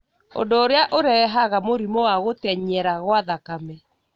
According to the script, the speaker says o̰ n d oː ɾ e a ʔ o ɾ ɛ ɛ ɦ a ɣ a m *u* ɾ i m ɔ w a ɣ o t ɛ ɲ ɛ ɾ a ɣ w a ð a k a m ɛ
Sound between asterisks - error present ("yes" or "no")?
yes